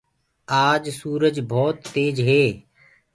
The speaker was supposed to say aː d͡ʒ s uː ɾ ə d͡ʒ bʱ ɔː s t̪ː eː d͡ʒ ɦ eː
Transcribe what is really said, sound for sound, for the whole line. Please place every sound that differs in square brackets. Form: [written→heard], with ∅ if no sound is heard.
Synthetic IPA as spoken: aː d͡ʒ s uː ɾ ə d͡ʒ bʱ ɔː [s→∅] t̪ː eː d͡ʒ ɦ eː